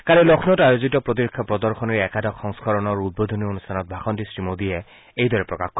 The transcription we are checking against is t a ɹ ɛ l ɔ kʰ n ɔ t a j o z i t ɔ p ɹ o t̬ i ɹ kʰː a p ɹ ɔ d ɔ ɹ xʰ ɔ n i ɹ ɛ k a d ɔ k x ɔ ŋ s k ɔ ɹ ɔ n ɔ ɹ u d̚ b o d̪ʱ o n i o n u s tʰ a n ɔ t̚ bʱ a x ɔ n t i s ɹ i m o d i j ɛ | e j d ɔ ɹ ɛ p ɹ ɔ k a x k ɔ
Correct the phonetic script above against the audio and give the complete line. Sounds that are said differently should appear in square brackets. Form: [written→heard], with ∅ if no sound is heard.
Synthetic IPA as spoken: [t→k] a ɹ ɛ l ɔ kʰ n ɔ t a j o z i t ɔ p ɹ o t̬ i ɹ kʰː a p ɹ ɔ d ɔ ɹ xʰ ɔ n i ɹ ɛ k a d ɔ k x ɔ ŋ s k ɔ ɹ ɔ n ɔ ɹ u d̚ b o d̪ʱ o n i o n u s tʰ a n ɔ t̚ bʱ a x ɔ n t i s ɹ i m o d i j ɛ | e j d ɔ ɹ ɛ p ɹ ɔ k a x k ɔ